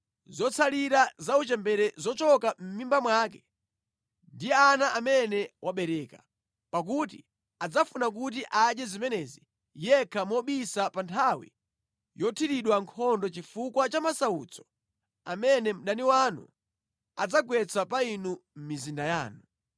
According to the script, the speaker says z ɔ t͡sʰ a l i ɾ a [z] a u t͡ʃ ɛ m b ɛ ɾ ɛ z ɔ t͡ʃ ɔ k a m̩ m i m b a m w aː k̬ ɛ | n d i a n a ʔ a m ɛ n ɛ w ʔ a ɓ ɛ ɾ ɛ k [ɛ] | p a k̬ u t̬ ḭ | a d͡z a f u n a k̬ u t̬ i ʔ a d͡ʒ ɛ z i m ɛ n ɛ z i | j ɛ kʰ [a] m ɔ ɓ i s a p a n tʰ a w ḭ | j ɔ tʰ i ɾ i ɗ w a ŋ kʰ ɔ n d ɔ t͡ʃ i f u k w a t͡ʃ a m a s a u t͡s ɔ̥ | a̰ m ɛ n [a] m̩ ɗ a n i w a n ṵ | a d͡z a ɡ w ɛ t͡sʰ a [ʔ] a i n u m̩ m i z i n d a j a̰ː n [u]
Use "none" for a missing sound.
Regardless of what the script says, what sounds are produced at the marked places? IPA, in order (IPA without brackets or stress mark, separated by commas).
z, a, a, ɛ, p, u